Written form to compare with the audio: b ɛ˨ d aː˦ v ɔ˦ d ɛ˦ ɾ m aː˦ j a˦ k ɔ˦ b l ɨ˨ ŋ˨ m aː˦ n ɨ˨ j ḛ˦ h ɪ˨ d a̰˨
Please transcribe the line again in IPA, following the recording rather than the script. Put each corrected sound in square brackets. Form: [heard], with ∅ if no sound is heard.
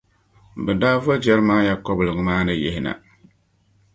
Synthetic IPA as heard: b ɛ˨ d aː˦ v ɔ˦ [d͡ʒ] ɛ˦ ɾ m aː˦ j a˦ k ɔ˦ b l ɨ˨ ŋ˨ m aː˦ n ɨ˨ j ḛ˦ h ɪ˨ [n] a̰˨